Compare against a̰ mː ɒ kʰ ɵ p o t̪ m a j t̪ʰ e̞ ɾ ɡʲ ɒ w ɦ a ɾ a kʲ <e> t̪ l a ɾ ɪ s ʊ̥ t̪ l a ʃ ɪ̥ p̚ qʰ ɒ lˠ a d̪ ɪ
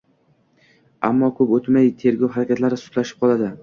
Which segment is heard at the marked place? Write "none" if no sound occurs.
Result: a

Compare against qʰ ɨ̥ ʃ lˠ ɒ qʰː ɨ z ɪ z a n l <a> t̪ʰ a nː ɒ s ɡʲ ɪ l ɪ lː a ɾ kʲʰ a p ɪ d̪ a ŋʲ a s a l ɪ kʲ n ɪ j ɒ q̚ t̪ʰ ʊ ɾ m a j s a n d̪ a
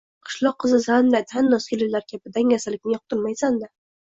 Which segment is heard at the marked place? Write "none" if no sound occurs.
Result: a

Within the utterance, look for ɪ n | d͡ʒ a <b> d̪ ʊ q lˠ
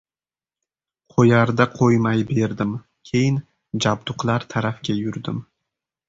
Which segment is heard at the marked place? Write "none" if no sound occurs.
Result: b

